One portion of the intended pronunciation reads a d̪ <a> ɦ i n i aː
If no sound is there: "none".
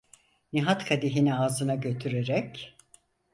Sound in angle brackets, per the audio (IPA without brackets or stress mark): i